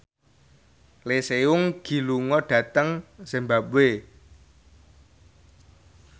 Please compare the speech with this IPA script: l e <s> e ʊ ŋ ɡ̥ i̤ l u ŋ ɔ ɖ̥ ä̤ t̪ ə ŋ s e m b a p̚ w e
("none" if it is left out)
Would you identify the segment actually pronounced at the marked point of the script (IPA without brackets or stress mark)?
s